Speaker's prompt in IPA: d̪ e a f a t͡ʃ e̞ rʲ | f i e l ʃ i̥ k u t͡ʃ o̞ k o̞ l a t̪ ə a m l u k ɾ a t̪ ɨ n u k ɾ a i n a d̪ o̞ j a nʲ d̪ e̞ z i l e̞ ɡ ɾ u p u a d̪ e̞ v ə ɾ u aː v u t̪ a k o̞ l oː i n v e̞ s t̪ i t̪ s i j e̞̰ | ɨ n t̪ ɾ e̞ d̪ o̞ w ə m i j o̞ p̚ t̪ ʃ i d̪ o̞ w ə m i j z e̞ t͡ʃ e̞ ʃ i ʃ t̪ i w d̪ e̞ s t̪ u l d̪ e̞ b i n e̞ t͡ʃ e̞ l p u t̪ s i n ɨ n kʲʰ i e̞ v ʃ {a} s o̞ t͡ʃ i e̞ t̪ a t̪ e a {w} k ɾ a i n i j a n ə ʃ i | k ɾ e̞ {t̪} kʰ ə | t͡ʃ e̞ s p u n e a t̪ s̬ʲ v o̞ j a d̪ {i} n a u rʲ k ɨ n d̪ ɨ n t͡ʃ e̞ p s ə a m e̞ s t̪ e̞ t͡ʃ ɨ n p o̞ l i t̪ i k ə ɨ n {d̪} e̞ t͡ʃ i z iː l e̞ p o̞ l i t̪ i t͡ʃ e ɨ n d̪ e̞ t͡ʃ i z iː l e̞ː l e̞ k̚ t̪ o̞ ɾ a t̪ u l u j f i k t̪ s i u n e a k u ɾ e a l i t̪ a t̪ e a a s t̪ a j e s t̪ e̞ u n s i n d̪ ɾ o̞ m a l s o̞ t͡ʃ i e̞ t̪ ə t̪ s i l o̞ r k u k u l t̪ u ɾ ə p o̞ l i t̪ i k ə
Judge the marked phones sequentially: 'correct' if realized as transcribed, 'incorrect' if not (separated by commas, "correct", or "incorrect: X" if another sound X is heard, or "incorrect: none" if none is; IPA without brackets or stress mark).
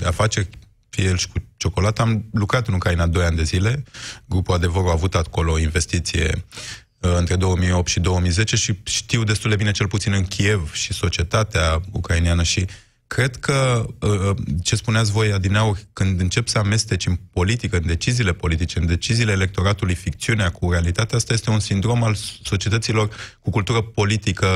incorrect: i, incorrect: u, incorrect: d̪, correct, correct